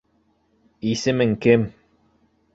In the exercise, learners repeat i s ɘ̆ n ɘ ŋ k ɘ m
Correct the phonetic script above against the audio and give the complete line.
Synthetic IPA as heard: i s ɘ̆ m ɘ ŋ k ɘ m